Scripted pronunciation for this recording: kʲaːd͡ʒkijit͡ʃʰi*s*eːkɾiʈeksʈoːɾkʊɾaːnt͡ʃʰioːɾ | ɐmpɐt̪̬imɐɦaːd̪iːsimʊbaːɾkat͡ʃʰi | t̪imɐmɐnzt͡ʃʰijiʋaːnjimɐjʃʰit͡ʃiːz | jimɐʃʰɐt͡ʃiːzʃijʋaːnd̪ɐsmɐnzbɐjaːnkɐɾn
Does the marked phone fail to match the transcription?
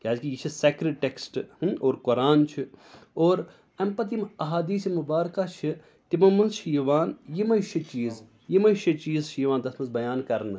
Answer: no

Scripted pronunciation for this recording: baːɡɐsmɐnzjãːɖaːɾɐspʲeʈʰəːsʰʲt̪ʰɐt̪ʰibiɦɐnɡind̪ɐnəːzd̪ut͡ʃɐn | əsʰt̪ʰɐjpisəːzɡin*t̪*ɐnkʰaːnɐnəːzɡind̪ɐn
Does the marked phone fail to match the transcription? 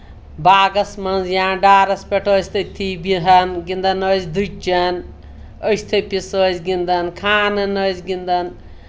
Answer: yes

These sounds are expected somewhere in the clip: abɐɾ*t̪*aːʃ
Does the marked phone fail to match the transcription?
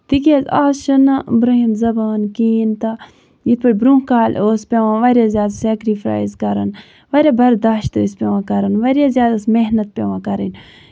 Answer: yes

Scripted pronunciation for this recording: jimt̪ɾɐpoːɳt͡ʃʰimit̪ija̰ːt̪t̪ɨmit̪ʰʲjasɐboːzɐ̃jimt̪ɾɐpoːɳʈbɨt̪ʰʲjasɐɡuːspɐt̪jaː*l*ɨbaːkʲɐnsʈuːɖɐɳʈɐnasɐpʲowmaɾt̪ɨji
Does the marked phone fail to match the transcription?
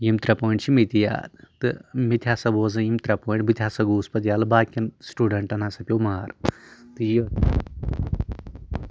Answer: no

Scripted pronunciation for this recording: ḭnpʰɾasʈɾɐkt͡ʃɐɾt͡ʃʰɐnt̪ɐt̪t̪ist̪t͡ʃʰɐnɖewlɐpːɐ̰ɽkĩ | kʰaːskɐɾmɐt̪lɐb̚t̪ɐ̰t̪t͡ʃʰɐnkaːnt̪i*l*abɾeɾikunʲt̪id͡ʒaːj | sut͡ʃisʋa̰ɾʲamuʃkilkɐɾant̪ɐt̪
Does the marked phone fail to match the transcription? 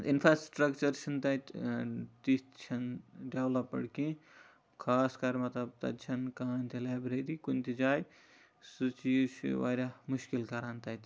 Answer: no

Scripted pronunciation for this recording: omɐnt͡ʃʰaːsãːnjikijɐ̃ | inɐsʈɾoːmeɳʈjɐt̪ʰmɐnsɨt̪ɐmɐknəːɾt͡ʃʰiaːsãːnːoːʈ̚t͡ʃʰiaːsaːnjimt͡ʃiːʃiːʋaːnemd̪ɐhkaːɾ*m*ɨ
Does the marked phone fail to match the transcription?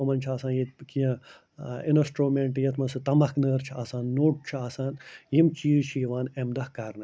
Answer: yes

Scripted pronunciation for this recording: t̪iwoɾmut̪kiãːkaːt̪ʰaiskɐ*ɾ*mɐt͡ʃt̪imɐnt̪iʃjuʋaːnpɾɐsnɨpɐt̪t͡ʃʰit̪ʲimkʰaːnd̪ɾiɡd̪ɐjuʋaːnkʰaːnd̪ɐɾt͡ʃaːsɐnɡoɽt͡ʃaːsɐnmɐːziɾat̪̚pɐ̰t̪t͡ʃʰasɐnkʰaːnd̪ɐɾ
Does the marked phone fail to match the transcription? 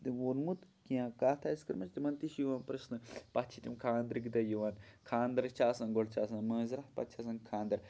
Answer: no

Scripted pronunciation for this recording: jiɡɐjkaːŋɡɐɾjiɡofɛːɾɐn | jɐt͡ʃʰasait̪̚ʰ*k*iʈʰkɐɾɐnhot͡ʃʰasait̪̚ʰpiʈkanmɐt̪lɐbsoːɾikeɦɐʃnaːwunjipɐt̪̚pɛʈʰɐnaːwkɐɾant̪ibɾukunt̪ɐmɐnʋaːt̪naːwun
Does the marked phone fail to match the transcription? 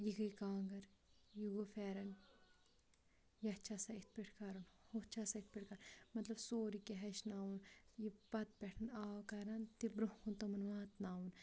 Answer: yes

